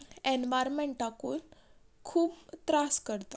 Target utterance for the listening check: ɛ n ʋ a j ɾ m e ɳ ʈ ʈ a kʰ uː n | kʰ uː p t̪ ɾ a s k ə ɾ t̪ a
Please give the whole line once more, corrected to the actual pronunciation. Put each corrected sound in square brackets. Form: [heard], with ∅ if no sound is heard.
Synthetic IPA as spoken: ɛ n ʋ a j ɾ m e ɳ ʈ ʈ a [k] uː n | kʰ uː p t̪ ɾ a s k ə ɾ t̪ a